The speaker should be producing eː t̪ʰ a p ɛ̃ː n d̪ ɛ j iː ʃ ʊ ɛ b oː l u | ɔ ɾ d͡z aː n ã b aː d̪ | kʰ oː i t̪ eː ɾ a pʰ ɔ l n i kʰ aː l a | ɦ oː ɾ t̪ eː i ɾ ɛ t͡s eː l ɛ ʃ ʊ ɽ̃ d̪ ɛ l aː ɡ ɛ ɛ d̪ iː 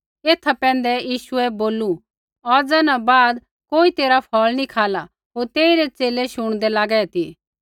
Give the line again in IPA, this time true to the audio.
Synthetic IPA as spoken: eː t̪ʰ a p ɛ̃ː n d̪ ɛ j iː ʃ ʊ ɛ b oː l u | ɔ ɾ d͡z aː n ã b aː d̪ | k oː i t̪ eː ɾ a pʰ ɔ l n i kʰ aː l a | ɦ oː ɾ t̪ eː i ɾ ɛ t͡s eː l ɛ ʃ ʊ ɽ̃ d̪ ɛ l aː ɡ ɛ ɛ t̪ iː